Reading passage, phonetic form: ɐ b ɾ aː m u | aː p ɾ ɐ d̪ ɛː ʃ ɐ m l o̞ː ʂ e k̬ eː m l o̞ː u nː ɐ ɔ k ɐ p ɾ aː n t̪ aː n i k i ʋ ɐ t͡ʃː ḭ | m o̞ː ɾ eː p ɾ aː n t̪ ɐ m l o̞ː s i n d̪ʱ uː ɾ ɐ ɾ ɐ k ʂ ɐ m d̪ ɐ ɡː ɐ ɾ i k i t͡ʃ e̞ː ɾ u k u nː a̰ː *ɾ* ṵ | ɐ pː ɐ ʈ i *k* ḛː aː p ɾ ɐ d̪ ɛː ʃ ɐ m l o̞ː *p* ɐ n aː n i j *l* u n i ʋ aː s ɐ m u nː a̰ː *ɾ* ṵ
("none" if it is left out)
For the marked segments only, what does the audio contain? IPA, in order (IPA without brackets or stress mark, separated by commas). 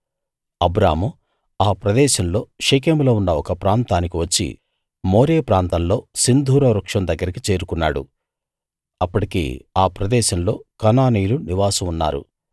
ɽ, k, k, l, ɾ